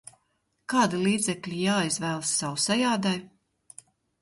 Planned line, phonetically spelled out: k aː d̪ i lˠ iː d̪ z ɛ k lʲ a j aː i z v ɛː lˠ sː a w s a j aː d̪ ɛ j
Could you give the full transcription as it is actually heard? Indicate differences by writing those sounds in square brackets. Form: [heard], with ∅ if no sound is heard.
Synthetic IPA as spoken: k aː d̪ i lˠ iː d̪ z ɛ k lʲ [i] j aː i z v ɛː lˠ sː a w s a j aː d̪ [a] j